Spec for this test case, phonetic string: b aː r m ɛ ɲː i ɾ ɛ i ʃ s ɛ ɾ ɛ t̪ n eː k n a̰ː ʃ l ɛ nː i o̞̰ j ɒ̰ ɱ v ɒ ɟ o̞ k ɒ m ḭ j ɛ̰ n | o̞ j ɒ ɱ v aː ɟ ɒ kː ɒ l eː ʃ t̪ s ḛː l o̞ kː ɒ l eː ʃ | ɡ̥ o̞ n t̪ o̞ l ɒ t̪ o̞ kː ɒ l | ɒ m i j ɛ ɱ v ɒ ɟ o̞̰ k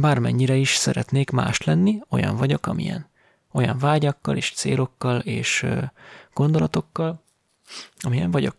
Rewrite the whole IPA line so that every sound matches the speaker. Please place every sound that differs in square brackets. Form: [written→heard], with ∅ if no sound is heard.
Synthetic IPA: b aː r m ɛ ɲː i ɾ ɛ i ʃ s ɛ ɾ ɛ t̪ n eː k [n→m] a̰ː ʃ l ɛ nː i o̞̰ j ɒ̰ ɱ v ɒ ɟ o̞ k ɒ m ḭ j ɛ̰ n | o̞ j ɒ ɱ v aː ɟ ɒ kː ɒ l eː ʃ t̪ s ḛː l o̞ kː ɒ l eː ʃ | ɡ̥ o̞ n [t̪→d̪] o̞ l ɒ t̪ o̞ kː ɒ l | ɒ m i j ɛ ɱ v ɒ ɟ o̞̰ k